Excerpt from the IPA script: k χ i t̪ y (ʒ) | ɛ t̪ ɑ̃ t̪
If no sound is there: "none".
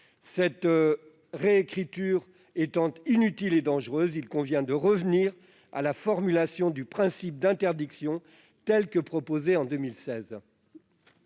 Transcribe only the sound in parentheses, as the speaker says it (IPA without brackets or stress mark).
ʁ